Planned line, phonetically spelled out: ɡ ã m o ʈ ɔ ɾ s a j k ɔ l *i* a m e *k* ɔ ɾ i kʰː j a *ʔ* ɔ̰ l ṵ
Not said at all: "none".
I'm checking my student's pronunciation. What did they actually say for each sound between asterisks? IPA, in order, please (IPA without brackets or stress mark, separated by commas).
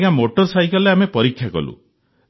e, p, k